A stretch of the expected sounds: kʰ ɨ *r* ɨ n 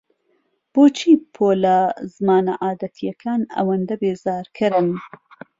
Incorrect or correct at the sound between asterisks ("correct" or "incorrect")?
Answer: incorrect